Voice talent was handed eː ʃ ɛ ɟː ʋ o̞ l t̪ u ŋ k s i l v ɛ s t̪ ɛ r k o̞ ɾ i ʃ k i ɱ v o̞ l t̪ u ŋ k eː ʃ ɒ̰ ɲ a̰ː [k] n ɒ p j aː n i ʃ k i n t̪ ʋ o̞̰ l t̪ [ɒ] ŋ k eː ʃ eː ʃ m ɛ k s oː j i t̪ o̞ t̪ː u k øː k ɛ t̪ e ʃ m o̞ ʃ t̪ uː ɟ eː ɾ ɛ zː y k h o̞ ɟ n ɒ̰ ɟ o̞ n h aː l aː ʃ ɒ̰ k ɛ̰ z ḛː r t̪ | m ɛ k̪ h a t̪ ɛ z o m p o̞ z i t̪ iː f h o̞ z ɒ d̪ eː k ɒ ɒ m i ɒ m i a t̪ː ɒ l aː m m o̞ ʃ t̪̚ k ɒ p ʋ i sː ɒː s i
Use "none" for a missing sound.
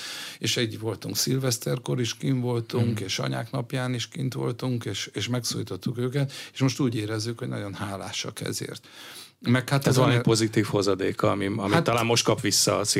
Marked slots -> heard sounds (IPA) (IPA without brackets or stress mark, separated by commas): k, u